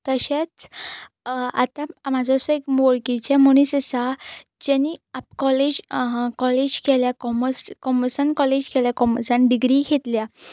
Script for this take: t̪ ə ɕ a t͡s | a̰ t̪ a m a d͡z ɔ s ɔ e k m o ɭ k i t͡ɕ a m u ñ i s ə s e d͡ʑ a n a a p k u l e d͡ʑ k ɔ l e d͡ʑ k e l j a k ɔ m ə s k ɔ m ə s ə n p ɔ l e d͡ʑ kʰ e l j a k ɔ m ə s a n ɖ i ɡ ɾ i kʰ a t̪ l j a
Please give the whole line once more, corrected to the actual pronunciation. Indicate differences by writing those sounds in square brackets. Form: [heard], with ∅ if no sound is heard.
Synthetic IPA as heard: t̪ ə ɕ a t͡s | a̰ t̪ a m a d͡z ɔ s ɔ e k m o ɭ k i t͡ɕ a m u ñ i s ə s [a] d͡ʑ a n [i] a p k [ɔ] l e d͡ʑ k ɔ l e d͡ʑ k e l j a k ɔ m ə s k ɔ m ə s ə n [k] ɔ l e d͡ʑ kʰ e l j a k ɔ m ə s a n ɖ i ɡ ɾ i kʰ [e] t̪ l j a